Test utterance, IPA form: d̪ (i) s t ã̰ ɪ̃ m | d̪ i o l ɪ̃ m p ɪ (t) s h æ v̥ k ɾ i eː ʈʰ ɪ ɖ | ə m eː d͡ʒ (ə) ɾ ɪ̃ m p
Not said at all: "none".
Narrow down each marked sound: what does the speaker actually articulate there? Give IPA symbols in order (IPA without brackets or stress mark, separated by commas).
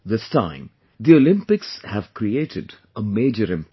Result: ɪ, k, ə